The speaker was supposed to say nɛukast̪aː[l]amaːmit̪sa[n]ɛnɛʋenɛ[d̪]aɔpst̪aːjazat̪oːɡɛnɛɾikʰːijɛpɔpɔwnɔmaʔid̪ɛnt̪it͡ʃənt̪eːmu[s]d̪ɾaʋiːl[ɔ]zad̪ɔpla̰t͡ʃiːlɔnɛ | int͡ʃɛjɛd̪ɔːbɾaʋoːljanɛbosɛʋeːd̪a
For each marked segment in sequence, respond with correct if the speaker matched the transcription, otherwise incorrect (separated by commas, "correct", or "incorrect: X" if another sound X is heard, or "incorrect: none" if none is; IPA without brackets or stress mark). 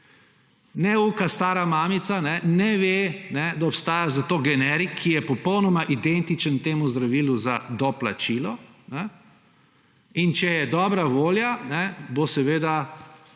incorrect: ɾ, correct, correct, incorrect: z, incorrect: u